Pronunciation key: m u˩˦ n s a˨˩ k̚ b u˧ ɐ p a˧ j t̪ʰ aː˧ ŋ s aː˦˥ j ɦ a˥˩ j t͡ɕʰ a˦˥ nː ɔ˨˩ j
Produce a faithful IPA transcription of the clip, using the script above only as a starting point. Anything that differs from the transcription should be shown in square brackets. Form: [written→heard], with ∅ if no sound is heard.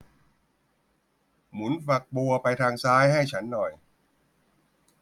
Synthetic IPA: m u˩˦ n [s→f] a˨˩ k̚ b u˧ ɐ p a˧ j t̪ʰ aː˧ ŋ s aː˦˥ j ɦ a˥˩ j t͡ɕʰ a˦˥ nː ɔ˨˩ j